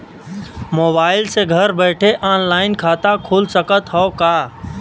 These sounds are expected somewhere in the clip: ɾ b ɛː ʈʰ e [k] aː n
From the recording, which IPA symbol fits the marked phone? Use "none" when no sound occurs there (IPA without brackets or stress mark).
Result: ʔ